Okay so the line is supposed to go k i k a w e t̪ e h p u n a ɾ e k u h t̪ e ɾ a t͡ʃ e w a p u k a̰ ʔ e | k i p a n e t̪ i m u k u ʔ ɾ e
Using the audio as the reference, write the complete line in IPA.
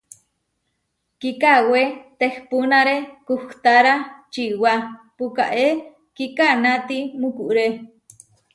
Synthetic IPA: k i k a w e t̪ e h p u n a ɾ e k u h t̪ a ɾ a t͡ʃ i w a p u k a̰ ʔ e | k i k a n a t̪ i m u k u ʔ ɾ e

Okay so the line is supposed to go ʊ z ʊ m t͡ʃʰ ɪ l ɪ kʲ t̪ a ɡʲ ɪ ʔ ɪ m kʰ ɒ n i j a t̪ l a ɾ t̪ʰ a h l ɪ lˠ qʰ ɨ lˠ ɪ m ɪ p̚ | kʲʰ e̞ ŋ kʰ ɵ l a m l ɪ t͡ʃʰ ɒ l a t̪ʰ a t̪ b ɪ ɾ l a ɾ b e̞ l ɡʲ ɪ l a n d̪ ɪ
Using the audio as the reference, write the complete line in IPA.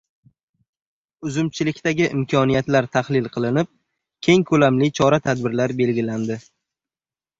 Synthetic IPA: ʊ z ʊ m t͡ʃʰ ɪ l ɪ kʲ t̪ a ɡʲ ɪ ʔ ɪ m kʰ ɒ n i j a t̪ l a ɾ t̪ʰ a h l ɪ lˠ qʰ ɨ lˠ ɪ n ɪ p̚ | kʲʰ e̞ ŋ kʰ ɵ l a m l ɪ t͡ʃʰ ɒ ɾ a t̪ʰ a d̪ b ɪ ɾ l a ɾ b e̞ l ɡʲ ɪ l a n d̪ ɪ

